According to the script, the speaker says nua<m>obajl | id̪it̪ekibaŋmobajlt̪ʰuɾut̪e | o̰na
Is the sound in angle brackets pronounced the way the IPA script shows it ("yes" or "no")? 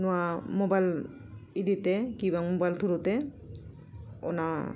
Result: yes